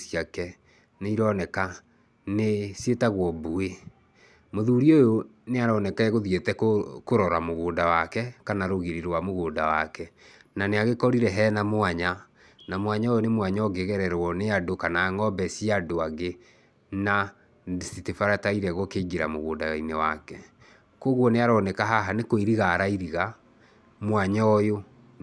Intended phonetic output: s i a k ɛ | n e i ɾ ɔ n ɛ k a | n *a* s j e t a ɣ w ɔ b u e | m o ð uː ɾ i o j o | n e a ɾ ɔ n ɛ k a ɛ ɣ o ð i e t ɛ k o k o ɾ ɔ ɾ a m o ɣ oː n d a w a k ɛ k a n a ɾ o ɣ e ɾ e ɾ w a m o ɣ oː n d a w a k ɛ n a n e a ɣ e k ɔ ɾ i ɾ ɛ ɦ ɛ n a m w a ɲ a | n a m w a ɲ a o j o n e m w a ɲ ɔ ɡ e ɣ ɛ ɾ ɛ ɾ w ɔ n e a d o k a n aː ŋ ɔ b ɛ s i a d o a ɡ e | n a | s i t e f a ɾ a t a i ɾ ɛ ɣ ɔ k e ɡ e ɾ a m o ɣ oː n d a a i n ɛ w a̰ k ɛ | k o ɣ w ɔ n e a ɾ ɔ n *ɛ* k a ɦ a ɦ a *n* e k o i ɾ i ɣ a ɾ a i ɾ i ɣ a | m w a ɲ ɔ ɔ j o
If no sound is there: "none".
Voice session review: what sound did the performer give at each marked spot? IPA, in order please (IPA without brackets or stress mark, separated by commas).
e, ɛ, n